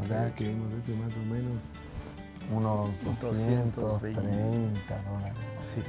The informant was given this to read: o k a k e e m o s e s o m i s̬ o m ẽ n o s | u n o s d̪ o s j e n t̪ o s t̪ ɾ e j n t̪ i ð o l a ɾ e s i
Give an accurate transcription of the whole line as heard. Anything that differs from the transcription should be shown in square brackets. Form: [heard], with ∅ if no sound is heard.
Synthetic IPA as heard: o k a k e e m o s e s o m [a] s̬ o m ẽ n o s | u n o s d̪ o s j e n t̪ o s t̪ ɾ e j n t̪ [a] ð o l a ɾ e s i